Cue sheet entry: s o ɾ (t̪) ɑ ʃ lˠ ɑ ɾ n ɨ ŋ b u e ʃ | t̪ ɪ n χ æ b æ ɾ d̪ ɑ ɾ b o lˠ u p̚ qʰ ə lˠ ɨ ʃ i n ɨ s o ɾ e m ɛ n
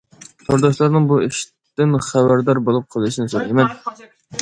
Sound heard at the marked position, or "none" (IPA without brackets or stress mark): d̪